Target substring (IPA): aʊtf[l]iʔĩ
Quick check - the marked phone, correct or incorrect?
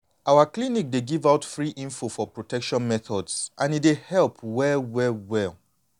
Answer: incorrect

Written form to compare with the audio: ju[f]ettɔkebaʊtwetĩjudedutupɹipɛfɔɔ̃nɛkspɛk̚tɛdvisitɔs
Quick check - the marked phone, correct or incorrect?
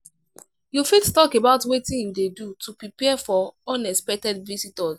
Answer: correct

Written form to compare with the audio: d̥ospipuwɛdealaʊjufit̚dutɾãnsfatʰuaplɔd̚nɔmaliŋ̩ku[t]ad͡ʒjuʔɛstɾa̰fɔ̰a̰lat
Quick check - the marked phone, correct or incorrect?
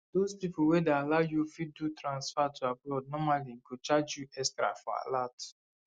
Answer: incorrect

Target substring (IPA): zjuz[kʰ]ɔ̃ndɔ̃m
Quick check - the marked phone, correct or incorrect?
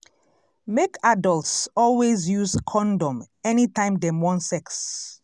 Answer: correct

